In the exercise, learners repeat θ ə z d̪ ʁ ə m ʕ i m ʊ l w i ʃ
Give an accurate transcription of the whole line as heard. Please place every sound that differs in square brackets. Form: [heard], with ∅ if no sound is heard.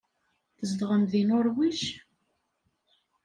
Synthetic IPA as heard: θ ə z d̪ ʁ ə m [ð] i [n] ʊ [ɾ] w i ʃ